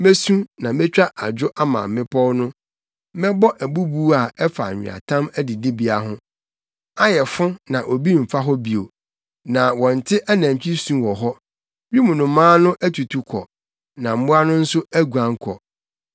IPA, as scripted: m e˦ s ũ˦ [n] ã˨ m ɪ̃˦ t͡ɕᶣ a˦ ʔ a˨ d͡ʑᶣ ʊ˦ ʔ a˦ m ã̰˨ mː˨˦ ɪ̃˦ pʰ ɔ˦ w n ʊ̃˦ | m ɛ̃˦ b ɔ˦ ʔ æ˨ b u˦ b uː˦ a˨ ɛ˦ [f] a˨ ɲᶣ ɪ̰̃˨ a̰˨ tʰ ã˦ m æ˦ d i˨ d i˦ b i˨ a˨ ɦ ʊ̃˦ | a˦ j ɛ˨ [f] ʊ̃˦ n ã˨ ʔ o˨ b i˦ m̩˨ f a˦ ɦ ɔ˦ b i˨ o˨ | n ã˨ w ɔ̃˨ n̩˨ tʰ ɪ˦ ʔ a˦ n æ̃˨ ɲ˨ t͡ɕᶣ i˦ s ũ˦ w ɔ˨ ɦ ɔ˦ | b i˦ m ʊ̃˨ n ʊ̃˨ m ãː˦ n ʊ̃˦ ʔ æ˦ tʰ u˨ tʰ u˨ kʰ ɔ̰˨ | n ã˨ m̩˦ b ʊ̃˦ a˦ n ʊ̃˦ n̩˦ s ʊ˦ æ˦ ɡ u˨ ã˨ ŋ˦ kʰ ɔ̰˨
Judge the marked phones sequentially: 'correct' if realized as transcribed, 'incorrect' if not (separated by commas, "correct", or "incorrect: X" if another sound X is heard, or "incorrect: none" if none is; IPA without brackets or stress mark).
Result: correct, correct, correct